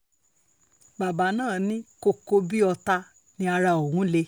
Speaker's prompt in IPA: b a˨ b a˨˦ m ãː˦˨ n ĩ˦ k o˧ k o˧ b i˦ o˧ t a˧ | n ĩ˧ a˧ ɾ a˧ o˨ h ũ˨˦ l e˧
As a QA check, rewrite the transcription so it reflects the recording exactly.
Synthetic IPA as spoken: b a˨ b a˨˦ n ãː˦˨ n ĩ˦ k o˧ k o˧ b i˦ ɔ˧ t a˧ | n ĩ˧ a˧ ɾ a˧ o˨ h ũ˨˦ l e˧

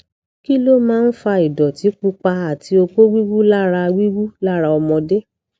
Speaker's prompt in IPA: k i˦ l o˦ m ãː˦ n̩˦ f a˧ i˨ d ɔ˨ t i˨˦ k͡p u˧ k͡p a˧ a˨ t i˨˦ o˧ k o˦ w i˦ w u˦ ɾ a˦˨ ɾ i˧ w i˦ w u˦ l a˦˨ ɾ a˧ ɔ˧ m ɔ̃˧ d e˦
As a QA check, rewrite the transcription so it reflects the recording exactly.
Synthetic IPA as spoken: k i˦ l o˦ m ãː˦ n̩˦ f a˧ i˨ d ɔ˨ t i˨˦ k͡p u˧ k͡p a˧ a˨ t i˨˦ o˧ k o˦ w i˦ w u˦ l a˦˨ ɾ a˧ w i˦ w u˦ l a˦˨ ɾ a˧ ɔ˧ m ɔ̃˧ d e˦

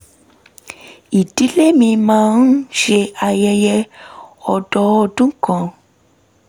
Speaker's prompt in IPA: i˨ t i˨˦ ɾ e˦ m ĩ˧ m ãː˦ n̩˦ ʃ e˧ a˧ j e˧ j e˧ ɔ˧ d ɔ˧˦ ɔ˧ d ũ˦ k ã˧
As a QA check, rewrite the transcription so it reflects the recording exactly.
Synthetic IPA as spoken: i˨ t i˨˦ l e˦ m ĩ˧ m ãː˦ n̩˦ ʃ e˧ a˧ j ɛ˧ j ɛ˧ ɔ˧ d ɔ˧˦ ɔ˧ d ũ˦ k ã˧

